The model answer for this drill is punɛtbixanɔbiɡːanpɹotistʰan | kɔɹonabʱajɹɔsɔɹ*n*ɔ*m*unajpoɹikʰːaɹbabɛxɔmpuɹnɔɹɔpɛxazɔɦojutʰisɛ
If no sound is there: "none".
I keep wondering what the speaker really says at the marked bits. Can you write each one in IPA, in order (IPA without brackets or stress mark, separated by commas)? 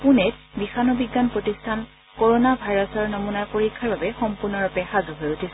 n, m